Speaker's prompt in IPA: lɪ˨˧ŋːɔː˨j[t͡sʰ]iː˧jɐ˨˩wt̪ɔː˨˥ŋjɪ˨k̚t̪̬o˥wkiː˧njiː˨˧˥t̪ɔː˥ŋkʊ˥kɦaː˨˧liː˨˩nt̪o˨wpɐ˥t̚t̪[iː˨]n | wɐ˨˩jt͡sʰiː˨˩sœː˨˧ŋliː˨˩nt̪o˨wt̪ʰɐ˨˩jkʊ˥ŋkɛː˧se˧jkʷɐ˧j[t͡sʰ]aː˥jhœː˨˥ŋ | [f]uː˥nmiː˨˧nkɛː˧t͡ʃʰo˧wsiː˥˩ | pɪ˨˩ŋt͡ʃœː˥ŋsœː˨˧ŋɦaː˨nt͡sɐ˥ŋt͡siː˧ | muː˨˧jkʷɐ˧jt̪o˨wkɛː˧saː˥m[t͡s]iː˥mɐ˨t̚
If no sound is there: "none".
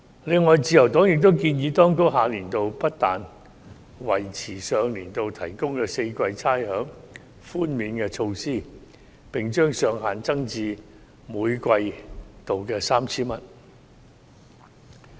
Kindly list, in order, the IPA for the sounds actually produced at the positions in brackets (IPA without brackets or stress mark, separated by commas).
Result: t͡s, aː˨, t͡sʰ, f, t͡sʰ